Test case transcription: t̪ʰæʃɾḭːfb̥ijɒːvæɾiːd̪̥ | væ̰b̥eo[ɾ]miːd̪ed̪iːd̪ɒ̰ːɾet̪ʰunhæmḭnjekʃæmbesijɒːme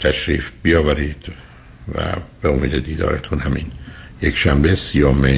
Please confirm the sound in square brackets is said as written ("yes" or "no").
no